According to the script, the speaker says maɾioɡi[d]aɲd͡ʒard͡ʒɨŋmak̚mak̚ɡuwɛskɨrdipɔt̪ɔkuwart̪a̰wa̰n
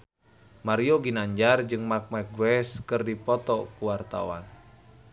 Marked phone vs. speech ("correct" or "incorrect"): incorrect